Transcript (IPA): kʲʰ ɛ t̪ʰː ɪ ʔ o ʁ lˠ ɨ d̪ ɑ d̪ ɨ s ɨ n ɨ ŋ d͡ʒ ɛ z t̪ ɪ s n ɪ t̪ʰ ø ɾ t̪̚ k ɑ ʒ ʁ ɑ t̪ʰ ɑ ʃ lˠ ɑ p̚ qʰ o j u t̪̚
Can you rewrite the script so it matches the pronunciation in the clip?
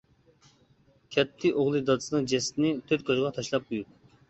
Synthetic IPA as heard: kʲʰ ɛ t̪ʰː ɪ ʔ o ʁ lˠ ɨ d̪ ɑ d̪ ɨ s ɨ n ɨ ŋ d͡ʒ ɛ s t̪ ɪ n ɪ t̪ʰ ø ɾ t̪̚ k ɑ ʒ ʁ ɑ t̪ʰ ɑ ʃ lˠ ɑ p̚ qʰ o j u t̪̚